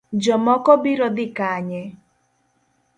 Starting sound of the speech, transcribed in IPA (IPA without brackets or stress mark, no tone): d͡ʒ